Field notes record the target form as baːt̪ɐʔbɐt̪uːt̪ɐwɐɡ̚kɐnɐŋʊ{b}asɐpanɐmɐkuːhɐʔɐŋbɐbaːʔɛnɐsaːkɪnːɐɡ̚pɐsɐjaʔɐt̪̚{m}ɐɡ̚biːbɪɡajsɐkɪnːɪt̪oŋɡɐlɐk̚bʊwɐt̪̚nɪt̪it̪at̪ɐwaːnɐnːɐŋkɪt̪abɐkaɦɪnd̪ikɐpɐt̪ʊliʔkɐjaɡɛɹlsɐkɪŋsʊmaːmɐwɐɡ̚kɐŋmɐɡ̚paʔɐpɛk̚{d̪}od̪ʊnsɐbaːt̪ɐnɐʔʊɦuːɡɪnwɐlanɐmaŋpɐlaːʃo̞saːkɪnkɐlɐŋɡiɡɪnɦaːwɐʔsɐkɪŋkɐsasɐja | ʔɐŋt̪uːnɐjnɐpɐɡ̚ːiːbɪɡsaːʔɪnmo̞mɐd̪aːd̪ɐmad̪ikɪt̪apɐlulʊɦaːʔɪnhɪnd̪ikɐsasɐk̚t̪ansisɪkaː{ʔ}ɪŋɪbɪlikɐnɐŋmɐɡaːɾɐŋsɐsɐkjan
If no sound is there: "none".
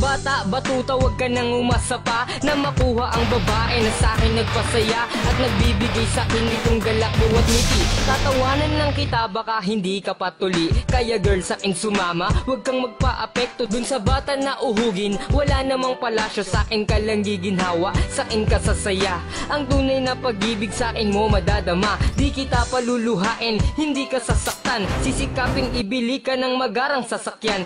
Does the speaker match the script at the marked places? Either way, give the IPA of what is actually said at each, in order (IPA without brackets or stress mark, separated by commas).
m, n, t̪, p